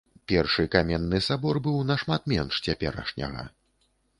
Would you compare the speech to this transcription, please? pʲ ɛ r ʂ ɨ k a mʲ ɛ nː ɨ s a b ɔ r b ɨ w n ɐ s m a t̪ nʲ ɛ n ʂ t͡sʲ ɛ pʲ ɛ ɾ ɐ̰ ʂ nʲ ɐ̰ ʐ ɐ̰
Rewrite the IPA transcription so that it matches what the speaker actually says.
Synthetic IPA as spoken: pʲ ɛ r ʂ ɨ k a mʲ ɛ nː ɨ s a b ɔ r b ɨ w n ɐ ʂ m a t̪ mʲ ɛ n ʂ t͡sʲ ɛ pʲ ɛ ɾ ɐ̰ ʂ nʲ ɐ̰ ɣ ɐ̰

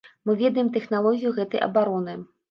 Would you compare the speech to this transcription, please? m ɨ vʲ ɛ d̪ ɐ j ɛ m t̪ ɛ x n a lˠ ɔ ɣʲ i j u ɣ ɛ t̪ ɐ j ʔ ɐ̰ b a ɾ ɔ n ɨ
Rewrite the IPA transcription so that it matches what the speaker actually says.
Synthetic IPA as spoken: m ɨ vʲ ɛ d̪ ɐ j ɛ m t̪ ɛ x n a lˠ ɔ ɣʲ i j u ɣ ɛ t̪ ɐ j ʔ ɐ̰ b a ɾ ɔ n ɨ

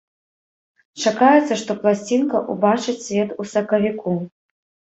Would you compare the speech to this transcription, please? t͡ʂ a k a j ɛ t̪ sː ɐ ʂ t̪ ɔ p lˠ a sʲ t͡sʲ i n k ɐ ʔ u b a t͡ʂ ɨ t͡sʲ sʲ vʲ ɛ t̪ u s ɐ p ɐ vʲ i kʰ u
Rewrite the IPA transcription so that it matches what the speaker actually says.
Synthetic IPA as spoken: t͡ʂ a k a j ɛ t̪ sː ɐ ʂ t̪ ɔ p lˠ a sʲ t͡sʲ i n k ɐ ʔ u b a t͡ʂ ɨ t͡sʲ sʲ vʲ ɛ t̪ u s ɐ k ɐ vʲ i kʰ u

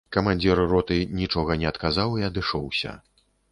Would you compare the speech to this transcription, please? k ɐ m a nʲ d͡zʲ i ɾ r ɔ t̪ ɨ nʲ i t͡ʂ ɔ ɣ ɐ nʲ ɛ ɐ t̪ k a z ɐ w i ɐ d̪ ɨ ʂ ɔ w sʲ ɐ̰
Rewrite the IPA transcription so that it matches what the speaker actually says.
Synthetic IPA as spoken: k ɐ m a nʲ d͡zʲ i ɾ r ɔ t̪ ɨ nʲ i t͡ʂ ɔ ɣ ɐ nʲ ɛ ɐ t̪ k a z a w i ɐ d̪ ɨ ʂ ɔ w sʲ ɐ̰

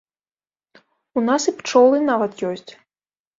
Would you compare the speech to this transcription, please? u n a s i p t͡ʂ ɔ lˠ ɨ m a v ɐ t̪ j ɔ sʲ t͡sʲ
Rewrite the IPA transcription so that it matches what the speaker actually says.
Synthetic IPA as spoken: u n a s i p t͡ʂ ɔ lˠ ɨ n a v ɐ t̪ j ɔ sʲ t͡sʲ

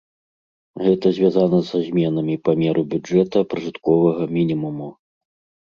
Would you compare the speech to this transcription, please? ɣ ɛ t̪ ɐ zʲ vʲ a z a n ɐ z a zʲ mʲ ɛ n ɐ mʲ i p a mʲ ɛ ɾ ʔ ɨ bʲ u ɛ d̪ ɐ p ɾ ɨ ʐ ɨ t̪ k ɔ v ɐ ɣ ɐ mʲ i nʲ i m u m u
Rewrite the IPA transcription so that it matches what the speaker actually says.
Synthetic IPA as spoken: ɣ ɛ t̪ ɐ zʲ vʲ a z a n ɐ z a zʲ mʲ ɛ n ɐ mʲ i p a mʲ ɛ ɾ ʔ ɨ bʲ u ɛ t̪ ɐ p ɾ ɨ ʐ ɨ t̪ k ɔ v ɐ ɣ ɐ mʲ i nʲ i m u m u

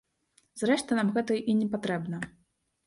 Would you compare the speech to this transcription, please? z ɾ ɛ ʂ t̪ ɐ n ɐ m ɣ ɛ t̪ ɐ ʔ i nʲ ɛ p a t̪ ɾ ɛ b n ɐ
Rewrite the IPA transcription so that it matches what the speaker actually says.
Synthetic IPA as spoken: z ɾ ɛ ʂ t̪ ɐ n a m ɣ ɛ t̪ ɐ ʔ i nʲ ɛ p a t̪ ɾ ɛ b n ɐ

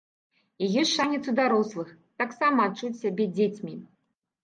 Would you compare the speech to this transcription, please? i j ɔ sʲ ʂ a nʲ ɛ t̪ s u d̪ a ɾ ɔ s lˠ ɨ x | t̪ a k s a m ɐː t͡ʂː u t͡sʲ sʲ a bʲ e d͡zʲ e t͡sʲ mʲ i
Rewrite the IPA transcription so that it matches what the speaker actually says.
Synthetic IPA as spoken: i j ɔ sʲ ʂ a nʲ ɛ t̪ s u d̪ a ɾ ɔ s lˠ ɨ x | t̪ a k s a m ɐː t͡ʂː u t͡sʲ sʲ a bʲ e d͡zʲ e t͡sʲ mʲ i

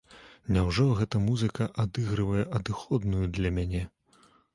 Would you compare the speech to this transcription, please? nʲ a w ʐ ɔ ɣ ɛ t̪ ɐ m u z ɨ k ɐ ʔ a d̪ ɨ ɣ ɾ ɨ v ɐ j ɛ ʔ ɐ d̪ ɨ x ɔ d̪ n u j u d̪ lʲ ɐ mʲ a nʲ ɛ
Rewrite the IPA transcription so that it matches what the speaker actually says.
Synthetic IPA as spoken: nʲ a w ʐ ɔ ɣ ɛ t̪ ɐ m u z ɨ k ɐ ʔ a d̪ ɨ ɣ ɾ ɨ v ɐ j ɛ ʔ ɐ d̪ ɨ x ɔ d̪ n u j u d̪ lʲ ɐ mʲ a nʲ ɛ

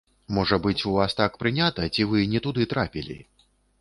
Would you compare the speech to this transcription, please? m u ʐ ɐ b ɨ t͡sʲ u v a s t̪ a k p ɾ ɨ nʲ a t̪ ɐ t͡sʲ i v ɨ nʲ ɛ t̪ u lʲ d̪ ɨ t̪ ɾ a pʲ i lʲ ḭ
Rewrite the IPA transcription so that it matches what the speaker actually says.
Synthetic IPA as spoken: m ɔ ʐ ɐ b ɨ t͡sʲ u v a s t̪ a k p ɾ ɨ nʲ a t̪ ɐ t͡sʲ i v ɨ nʲ ɛ t̪ u d̪ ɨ t̪ ɾ a pʲ i lʲ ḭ

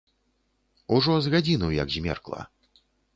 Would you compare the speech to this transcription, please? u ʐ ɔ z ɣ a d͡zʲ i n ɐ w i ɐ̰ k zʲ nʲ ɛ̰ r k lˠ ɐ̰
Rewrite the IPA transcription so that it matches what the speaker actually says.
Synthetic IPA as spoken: u ʐ ɔ z ɣ a d͡zʲ i n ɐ w j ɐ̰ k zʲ mʲ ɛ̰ r k lˠ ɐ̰

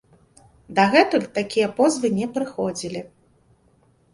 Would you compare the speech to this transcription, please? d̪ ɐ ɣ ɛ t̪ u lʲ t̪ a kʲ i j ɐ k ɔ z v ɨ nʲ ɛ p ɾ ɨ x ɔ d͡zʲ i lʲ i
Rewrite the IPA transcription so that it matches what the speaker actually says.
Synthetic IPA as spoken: d̪ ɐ ɣ ɛ t̪ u lʲ t̪ a kʲ i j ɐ p ɔ z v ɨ nʲ ɛ p ɾ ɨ x ɔ d͡zʲ i lʲ i

